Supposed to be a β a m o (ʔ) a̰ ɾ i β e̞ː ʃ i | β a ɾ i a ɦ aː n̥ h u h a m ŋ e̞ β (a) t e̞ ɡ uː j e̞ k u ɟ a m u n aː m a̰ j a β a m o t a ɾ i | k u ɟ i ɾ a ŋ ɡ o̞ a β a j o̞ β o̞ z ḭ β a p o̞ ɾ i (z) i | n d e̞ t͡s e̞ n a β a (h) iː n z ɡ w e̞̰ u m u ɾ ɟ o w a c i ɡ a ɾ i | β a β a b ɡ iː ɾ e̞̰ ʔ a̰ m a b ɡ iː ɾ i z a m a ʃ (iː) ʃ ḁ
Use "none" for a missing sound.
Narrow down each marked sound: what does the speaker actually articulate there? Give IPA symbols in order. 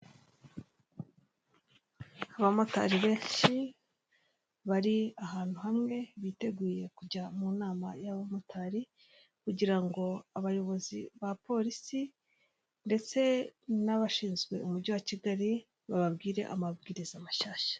t, i, s, ʃ, aː

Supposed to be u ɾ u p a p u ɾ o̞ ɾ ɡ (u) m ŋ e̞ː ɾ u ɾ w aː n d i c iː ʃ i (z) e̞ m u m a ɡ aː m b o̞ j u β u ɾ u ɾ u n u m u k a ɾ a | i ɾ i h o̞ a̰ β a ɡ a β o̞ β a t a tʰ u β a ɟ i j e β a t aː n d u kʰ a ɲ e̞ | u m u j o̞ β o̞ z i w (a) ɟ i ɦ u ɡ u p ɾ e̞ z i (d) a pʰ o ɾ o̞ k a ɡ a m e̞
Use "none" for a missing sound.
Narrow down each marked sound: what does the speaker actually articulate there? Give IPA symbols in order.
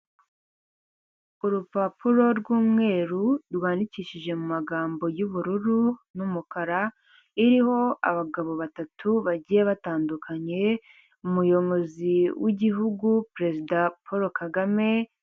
uː, ʒ, i, d

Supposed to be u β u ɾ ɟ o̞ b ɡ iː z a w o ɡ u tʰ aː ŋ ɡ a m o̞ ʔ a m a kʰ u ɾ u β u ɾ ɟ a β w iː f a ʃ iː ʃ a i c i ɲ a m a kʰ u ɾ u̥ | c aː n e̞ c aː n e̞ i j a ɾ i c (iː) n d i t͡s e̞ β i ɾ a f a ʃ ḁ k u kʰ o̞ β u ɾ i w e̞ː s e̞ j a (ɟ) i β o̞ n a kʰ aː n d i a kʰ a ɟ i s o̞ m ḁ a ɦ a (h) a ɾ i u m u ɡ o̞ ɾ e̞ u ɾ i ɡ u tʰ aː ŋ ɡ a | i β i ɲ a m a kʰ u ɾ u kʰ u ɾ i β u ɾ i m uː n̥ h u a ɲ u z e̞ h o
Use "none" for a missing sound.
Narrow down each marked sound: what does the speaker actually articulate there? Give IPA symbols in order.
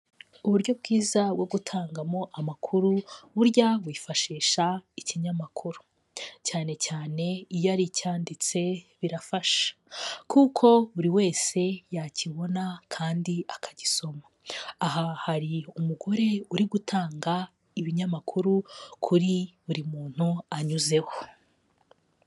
aː, c, h

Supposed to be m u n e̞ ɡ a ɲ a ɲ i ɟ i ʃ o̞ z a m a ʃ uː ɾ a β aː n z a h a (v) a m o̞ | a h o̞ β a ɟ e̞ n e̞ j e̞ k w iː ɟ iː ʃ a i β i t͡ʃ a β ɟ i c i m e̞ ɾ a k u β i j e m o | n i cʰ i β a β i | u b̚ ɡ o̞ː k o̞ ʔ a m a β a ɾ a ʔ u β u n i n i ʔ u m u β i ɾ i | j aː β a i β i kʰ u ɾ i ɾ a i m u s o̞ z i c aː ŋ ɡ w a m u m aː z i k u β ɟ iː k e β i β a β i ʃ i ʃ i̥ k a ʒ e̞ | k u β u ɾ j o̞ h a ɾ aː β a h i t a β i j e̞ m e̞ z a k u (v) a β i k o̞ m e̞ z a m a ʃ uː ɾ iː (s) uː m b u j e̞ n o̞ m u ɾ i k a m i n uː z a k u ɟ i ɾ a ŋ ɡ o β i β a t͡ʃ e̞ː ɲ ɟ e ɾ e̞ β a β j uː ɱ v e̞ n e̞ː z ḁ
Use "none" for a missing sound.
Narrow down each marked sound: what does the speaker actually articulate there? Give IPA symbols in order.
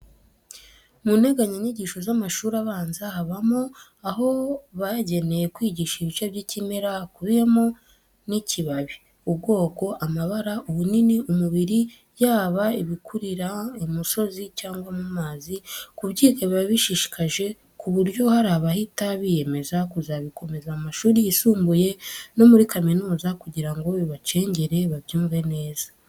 β, z, s

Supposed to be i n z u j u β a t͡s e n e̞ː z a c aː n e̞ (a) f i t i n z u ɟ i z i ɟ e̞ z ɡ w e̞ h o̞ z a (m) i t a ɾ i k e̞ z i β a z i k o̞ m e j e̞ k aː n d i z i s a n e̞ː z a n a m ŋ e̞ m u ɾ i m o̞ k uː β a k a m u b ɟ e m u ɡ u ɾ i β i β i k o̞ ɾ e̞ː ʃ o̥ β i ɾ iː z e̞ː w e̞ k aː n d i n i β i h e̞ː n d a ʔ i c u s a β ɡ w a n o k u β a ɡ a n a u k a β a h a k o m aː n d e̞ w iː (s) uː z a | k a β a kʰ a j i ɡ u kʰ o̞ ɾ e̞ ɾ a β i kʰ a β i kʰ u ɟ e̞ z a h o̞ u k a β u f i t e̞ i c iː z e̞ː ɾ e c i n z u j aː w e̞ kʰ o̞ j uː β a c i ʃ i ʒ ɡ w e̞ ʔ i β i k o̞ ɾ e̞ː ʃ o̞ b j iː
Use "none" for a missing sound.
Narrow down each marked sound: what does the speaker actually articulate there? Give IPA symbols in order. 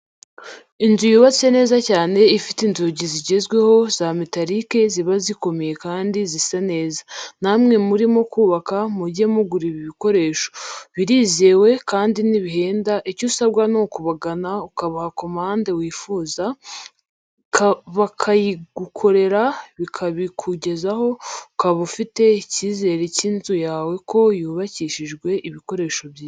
i, m, f

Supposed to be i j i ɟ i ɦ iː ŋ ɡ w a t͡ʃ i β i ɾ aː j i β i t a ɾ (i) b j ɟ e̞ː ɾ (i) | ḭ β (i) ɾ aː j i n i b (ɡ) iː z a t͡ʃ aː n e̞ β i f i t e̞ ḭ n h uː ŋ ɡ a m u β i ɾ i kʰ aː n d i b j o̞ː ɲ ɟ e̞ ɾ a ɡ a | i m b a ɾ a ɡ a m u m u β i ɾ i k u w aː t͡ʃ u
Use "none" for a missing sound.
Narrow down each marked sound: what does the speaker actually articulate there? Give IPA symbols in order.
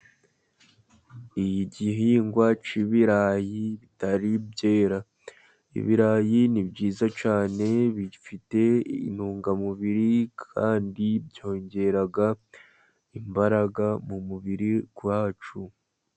i, a, i, ɟ

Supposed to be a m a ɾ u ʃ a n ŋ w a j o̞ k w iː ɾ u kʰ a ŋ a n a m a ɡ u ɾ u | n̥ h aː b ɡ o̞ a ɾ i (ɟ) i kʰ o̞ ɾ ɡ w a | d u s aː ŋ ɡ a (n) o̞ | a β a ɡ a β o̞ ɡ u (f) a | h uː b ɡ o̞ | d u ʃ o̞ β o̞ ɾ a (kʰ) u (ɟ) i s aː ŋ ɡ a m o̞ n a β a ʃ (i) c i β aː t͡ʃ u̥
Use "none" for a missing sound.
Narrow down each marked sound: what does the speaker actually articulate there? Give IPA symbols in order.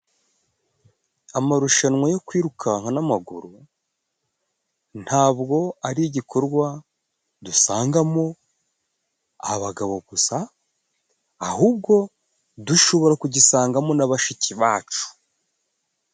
ɟ, m, s, k, ɟ, i

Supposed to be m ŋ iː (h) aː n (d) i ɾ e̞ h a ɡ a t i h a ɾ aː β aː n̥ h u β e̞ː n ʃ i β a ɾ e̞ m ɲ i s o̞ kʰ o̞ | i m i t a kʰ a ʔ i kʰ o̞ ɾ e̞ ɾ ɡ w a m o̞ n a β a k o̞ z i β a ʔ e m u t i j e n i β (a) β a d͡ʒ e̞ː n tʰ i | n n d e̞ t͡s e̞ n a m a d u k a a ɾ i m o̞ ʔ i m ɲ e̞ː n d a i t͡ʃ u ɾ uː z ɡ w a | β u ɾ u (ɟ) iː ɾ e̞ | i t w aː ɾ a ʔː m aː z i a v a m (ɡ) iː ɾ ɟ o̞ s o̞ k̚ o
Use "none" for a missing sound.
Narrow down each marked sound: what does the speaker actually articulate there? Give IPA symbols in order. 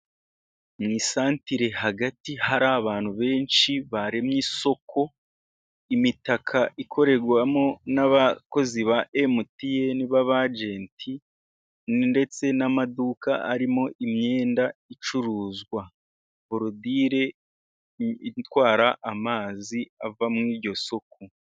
s, t, a, d, ŋ

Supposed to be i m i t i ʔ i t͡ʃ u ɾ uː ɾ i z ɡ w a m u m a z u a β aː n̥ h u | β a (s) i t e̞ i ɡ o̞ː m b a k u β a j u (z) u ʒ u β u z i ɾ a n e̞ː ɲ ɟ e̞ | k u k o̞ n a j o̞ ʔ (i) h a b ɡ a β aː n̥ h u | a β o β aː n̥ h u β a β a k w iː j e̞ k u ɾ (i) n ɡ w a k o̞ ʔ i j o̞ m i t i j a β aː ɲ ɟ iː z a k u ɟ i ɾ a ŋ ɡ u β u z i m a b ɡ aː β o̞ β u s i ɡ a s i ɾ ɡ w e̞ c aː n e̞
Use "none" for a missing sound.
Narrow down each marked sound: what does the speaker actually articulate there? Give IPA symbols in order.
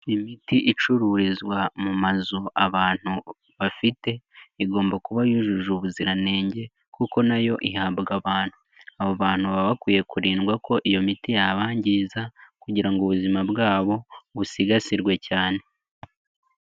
f, ʒ, i, iː

